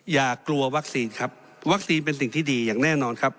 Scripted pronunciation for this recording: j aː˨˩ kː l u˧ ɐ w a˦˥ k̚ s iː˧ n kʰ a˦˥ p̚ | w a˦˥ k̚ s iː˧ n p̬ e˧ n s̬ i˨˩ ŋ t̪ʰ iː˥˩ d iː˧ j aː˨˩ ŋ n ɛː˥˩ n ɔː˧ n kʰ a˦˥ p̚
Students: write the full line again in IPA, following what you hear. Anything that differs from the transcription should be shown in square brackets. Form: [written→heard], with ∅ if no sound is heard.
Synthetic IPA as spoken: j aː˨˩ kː l u˧ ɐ w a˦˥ k̚ s iː˧ n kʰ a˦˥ p̚ | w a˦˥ k̚ s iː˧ n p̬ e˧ n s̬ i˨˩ ŋ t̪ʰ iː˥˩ d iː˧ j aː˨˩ ŋ n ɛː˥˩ n ɔː˧ n kʰ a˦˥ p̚